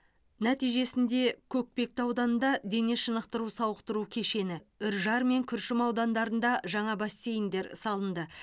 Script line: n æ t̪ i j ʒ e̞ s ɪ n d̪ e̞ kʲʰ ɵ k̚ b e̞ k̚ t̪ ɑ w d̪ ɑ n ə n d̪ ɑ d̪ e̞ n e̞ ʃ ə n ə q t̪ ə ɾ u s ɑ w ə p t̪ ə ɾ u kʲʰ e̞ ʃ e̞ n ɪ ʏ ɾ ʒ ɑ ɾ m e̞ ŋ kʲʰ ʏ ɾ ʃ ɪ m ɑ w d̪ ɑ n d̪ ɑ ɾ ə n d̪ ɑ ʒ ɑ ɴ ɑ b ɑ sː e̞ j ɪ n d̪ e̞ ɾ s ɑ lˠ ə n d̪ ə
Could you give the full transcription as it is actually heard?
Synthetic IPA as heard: n æ t̪ i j ʒ e̞ s ɪ n d̪ e̞ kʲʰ ɵ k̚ p e̞ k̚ t̪ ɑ w d̪ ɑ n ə n d̪ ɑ d̪ e̞ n e̞ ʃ ə n ə q t̪ ə ɾ u s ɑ w ə q t̪ ə ɾ u kʲʰ e̞ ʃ e̞ n ɪ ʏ ɾ ʒ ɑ ɾ m e̞ ŋ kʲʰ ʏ ɾ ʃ ɪ m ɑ w d̪ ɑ n d̪ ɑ ɾ ə n d̪ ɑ ʒ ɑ ɴ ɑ b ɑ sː e̞ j ɪ n d̪ e̞ ɾ s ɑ lˠ ə n d̪ ə